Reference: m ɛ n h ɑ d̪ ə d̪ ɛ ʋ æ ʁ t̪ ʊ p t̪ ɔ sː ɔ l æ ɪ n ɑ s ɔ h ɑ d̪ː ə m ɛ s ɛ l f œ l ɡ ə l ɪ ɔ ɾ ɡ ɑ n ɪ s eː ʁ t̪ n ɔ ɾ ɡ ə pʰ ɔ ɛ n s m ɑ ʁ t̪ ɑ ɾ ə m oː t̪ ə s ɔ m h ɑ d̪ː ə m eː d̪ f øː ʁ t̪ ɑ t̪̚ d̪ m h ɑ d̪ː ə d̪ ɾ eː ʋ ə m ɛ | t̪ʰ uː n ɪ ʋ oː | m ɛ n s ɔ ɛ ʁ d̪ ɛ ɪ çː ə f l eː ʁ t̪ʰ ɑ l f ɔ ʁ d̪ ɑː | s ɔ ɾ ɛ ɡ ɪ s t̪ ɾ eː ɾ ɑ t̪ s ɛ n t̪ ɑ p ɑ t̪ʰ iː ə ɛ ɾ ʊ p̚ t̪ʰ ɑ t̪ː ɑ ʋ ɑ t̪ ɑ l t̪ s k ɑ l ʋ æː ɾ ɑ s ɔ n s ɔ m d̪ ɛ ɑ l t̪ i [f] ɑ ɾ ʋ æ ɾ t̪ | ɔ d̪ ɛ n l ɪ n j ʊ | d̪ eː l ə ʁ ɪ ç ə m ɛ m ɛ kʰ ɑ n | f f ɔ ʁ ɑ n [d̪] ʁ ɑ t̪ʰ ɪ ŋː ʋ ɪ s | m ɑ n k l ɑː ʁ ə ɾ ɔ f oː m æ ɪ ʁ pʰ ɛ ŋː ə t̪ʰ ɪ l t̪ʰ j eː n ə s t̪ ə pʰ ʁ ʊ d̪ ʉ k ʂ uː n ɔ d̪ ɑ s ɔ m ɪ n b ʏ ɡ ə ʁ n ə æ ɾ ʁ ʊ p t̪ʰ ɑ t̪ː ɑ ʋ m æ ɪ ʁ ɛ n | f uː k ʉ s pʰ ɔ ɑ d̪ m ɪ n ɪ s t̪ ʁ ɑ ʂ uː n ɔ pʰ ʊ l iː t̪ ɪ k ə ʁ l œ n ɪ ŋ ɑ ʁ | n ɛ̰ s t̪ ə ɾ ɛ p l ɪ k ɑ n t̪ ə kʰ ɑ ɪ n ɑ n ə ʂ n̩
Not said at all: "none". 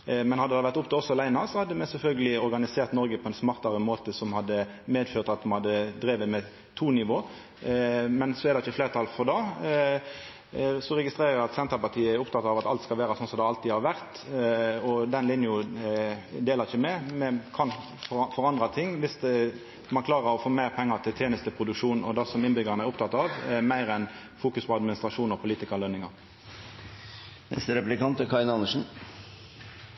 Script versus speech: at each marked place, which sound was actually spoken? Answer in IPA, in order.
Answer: h, d̪

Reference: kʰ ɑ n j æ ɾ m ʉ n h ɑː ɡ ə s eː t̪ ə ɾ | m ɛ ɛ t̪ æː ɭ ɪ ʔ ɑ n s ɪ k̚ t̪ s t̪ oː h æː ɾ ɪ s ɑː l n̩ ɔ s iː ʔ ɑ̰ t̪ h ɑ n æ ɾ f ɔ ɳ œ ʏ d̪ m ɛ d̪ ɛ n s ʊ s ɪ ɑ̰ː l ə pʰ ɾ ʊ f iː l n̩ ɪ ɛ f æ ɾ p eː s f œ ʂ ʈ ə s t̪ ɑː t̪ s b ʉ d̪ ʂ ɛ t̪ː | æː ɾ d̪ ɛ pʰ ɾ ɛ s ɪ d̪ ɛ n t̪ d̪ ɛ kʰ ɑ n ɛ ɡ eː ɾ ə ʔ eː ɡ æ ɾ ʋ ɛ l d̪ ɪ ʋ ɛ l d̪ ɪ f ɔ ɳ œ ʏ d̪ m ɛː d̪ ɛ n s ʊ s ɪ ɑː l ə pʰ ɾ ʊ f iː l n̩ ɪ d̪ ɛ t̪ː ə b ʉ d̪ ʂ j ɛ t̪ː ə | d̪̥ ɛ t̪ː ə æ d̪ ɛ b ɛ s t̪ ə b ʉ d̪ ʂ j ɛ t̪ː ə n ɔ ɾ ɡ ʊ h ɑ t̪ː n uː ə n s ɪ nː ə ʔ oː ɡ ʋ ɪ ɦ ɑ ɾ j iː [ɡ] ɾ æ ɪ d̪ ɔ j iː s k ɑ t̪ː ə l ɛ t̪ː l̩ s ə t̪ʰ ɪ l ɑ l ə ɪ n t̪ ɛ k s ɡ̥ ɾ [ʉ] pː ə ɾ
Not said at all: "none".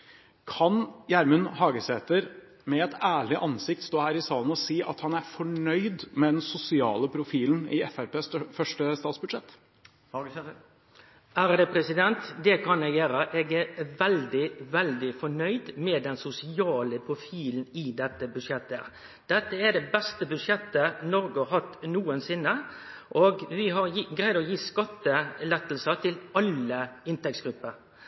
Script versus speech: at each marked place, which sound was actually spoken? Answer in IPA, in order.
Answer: ɡ, ʉ

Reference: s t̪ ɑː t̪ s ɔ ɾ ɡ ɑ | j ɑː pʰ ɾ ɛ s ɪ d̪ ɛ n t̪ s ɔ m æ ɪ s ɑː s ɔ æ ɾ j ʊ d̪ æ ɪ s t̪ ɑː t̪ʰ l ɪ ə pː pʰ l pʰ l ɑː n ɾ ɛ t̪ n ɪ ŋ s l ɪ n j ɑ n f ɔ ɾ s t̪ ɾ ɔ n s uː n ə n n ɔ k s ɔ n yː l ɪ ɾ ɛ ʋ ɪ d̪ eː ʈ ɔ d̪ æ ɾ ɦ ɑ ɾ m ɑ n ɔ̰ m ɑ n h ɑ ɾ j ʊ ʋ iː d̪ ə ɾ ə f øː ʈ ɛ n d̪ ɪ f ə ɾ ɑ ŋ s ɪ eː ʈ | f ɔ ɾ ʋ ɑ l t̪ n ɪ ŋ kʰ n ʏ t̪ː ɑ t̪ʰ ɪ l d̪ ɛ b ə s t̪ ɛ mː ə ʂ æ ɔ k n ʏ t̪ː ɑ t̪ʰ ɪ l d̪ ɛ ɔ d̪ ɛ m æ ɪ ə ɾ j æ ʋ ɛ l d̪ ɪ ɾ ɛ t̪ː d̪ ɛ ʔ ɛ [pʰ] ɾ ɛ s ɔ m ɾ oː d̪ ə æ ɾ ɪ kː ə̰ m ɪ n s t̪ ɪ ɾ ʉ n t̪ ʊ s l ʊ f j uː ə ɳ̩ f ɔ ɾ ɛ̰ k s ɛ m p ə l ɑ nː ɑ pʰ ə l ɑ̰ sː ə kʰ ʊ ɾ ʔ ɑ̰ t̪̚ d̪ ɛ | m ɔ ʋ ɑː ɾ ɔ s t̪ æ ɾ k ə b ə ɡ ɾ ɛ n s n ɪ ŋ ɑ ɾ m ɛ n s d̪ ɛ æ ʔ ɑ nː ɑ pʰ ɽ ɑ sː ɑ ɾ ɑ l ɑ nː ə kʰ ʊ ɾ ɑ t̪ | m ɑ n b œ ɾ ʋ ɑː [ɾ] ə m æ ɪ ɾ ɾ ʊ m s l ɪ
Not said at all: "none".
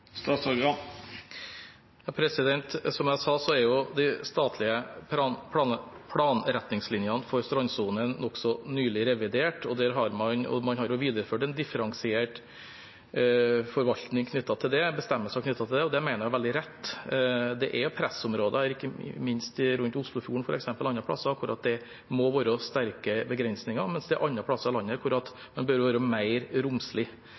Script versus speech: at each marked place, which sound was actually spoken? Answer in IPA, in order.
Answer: pʰ, ɾ

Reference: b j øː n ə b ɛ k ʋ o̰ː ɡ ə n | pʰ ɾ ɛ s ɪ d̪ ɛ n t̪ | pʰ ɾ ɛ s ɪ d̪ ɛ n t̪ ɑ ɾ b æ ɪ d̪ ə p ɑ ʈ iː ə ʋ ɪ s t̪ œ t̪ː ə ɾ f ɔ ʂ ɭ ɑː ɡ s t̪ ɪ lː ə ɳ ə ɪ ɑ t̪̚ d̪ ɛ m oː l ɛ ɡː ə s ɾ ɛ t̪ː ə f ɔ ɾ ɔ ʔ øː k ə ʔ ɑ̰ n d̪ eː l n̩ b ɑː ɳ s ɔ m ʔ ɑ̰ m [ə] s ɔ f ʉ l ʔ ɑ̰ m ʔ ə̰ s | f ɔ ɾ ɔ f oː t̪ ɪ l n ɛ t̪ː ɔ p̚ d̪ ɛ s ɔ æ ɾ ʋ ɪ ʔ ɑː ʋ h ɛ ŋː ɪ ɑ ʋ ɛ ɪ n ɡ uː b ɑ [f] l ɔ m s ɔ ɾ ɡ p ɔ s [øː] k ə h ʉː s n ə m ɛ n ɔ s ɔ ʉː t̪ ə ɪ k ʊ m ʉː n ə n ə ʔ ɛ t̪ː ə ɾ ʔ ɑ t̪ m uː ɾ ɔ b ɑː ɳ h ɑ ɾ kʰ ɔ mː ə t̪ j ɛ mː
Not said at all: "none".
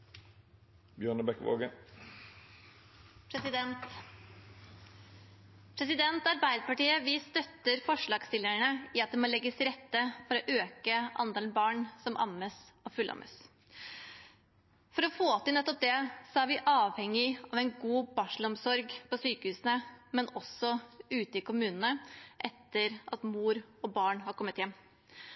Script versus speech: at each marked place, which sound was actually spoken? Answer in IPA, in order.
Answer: ə, ʂ, yː

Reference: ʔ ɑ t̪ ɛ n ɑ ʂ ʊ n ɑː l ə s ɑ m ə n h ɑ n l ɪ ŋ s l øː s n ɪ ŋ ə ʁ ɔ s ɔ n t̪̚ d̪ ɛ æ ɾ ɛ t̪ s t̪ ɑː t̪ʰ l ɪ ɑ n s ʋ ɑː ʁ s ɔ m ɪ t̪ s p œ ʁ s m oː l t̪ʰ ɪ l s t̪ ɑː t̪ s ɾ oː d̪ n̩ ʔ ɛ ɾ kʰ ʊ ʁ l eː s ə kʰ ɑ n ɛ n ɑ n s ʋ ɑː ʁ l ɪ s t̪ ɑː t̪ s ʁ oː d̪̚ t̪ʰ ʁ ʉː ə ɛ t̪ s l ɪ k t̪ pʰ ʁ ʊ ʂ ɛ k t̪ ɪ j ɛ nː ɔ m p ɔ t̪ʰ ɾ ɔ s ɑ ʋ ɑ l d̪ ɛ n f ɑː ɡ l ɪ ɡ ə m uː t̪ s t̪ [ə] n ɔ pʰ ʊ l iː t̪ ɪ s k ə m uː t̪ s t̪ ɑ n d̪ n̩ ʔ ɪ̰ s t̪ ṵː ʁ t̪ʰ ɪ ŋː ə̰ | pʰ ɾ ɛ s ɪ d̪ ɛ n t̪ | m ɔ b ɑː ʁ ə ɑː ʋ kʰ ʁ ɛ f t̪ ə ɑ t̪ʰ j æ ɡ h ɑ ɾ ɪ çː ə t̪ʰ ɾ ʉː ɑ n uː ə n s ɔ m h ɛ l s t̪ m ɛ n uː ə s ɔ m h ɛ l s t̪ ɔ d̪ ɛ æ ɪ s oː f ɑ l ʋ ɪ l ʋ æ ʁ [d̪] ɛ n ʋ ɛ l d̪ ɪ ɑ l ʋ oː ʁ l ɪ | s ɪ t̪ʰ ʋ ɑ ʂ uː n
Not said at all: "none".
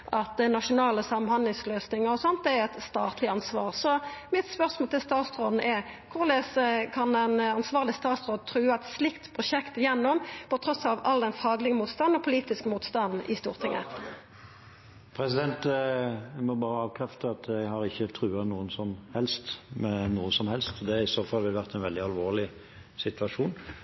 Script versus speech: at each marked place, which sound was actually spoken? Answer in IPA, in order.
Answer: ɑ, t̪

